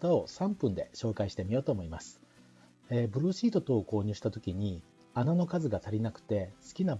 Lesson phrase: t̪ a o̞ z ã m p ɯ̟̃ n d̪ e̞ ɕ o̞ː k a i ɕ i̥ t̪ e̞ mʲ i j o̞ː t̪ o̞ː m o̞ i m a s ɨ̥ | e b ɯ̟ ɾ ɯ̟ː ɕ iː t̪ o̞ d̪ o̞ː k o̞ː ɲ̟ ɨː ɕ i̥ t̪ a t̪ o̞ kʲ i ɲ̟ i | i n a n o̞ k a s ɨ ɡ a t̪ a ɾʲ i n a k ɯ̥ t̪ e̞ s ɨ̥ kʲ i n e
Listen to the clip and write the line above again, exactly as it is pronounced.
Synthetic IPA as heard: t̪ a o̞ s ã m p ɯ̟̃ n d̪ e̞ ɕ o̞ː k a i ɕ i̥ t̪ e̞ mʲ i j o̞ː t̪ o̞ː m o̞ i m a s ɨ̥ | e b ɯ̟ ɾ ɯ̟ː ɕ iː t̪ o̞ t̪ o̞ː k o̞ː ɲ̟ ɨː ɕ i̥ t̪ a t̪ o̞ kʲ i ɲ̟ i | a n a n o̞ k a z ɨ ɡ a t̪ a ɾʲ i n a k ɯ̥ t̪ e̞ s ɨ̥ kʲ i n a

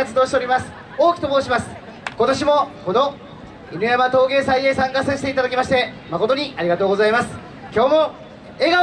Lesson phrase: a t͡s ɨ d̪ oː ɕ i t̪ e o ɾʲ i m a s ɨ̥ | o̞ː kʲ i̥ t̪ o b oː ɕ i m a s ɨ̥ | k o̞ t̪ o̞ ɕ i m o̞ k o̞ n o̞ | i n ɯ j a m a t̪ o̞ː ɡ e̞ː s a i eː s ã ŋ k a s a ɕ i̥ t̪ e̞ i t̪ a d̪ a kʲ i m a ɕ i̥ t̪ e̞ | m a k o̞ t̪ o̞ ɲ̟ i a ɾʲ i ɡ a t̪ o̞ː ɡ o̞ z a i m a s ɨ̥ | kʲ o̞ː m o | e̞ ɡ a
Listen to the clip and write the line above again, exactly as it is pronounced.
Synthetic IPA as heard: a t͡s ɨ d̪ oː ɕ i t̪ e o ɾʲ i m a s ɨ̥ | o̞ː kʲ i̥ t̪ o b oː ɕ i m a s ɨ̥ | k o̞ t̪ o̞ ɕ i m o̞ k o̞ n o̞ | i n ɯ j a m a t̪ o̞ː ɡ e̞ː s a i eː s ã ŋ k a s a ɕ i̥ t̪ e̞ i t̪ a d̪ a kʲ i m a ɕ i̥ t̪ e̞ | m a k o̞ t̪ o̞ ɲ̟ i a ɾʲ i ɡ a t̪ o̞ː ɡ o̞ z a i m a s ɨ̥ | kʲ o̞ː m o | e̞ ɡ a

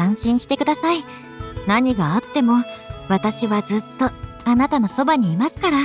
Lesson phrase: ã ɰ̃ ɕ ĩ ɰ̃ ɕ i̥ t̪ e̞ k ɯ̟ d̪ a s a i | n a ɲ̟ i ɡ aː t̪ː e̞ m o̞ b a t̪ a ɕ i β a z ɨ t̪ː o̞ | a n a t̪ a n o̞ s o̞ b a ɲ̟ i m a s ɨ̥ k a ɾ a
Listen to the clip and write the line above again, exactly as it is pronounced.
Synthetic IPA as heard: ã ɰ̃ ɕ ĩ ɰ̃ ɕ i̥ t̪ e̞ k ɯ̟ d̪ a s a i | n a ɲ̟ i ɡ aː t̪ː e̞ m o̞ β a t̪ a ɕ i β a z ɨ t̪ː o̞ | a n a t̪ a n o̞ s o̞ b a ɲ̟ iː m a s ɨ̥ k a ɾ a

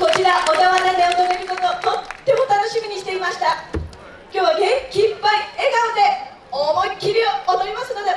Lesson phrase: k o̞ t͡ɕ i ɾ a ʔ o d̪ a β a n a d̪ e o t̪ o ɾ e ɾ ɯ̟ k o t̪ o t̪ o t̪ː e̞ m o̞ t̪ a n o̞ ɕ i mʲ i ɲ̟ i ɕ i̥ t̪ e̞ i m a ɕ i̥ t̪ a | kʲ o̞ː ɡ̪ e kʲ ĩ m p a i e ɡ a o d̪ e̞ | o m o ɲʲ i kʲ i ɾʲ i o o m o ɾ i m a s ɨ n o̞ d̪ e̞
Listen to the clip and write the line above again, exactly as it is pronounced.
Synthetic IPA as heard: k o̞ t͡ɕ i ɾ a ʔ o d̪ a β a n a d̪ e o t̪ o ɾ e ɾ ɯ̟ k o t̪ o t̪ o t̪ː e̞ m o̞ t̪ a n o̞ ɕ i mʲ i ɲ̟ i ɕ i̥ t̪ e̞ i m a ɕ i̥ t̪ a | kʲ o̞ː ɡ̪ e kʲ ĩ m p a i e ɡ a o d̪ e̞ | o m o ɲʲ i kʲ i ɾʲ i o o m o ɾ i m a s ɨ n o̞ d̪ e̞

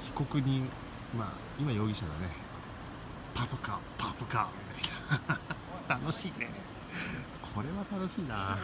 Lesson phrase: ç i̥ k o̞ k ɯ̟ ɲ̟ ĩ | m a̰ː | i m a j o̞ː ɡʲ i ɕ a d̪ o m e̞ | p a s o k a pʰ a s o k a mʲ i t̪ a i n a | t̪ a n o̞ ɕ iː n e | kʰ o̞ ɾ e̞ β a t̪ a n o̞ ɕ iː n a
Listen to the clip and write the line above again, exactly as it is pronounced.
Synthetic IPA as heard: ç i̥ k o̞ k ɯ̟ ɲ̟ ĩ | m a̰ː | i m a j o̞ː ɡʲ i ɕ a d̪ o n e̞ | p a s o k a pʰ a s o k a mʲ i t̪ a i n a | t̪ a n o̞ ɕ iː n e | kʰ o̞ ɾ e̞ β a t̪ a n o̞ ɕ iː n a

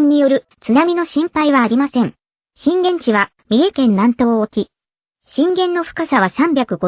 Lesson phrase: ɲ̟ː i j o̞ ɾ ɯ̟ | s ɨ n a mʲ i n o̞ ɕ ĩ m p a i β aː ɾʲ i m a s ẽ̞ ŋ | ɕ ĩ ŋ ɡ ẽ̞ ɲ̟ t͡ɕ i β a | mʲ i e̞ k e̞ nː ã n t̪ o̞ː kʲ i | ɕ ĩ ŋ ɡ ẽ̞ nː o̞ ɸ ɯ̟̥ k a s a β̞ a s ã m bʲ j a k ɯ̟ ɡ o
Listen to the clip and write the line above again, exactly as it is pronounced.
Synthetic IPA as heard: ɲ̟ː i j o̞ ɾ ɯ̟ | t͡s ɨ n a mʲ i n o̞ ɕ ĩ m p a i β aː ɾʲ i m a s ẽ̞ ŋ | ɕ ĩ ŋ ɡ ẽ̞ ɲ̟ t͡ɕ i β a | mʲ i e̞ k ẽ̞ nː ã n t̪ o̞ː kʲ i | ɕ ĩ ŋ ɡ ẽ̞ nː o̞ ɸ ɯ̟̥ k a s a β̞ a s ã m bʲ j a k ɯ̟ ɡ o

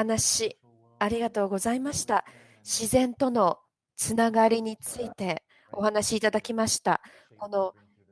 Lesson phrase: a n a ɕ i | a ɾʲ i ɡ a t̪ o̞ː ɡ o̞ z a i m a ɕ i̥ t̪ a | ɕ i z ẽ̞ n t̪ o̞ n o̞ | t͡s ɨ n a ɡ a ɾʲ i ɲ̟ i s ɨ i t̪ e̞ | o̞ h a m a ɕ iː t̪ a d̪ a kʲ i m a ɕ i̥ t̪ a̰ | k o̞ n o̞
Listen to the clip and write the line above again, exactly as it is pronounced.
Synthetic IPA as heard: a n a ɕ i | a ɾʲ i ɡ a t̪ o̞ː ɡ o̞ z a i m a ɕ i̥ t̪ a | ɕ i z ẽ̞ n t̪ o̞ n o̞ | t͡s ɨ n a ɡ a ɾʲ i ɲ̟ i t͡s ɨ i t̪ e̞ | o̞ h a n a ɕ iː t̪ a d̪ a kʲ i m a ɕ i̥ t̪ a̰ | k o̞ n o̞

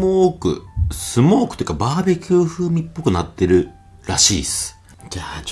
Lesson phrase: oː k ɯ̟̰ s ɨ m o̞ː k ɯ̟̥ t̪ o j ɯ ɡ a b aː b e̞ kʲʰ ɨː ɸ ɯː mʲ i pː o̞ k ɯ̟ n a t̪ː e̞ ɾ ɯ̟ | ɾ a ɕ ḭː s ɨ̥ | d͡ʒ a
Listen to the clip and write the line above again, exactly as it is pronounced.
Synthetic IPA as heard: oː k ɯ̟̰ s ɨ m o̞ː k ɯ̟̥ t̪ o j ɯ k a b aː b e̞ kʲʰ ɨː ɸ ɯː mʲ i pː o̞ k ɯ̟ n a t̪ː e̞ ɾ ɯ̟ | ɾ a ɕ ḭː s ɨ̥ | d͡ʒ a

